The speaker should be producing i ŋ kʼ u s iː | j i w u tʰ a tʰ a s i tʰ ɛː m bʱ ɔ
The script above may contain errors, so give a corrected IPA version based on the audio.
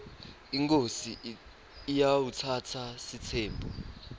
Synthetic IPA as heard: i ŋ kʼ o s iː | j a w u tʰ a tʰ a s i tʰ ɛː m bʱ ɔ